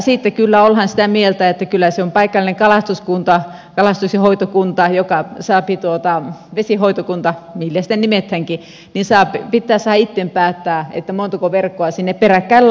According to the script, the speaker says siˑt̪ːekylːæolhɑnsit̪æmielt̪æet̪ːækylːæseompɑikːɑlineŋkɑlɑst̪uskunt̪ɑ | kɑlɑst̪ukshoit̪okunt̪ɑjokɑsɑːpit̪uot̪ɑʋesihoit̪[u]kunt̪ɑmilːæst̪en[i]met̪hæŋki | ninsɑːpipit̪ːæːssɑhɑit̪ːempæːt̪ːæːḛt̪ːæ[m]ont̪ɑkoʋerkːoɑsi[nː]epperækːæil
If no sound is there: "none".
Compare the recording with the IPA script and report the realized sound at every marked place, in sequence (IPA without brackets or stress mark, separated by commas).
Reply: o, i, m, nː